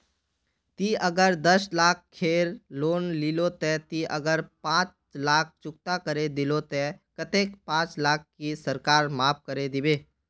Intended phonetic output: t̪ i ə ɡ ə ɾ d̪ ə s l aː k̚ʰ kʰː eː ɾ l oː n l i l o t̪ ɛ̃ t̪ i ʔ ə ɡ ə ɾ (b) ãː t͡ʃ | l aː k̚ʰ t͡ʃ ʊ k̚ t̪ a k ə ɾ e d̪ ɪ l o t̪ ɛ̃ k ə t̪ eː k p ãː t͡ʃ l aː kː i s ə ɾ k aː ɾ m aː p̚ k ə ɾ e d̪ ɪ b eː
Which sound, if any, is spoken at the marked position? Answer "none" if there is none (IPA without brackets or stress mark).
p